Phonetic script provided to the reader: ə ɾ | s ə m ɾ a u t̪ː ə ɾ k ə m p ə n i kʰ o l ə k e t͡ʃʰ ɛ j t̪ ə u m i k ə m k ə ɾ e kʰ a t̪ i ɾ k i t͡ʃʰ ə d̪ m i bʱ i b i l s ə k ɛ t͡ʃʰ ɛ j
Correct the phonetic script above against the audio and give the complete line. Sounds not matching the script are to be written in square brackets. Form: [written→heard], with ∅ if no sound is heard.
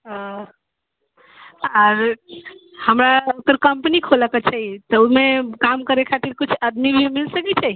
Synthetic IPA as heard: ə ɾ | [s→h] ə m ɾ a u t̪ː ə ɾ k ə m p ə n i kʰ o l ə k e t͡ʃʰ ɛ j t̪ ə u m [i→e] k [ə→a] m k ə ɾ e kʰ a t̪ i ɾ k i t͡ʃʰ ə d̪ m i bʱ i [b→m] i l s ə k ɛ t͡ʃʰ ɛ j